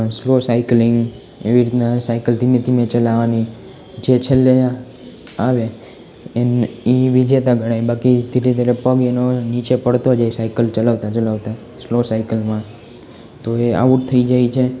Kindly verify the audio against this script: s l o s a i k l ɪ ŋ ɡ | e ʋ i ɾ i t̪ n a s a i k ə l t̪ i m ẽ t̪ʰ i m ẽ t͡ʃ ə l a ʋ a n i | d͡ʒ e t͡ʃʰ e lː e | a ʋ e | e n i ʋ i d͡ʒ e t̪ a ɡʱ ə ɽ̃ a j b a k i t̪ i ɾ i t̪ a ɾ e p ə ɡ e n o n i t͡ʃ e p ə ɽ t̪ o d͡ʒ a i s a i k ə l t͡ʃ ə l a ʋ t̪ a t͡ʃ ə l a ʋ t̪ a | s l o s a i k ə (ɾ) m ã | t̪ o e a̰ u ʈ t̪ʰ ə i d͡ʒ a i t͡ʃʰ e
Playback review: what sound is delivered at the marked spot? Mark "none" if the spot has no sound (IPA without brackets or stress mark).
l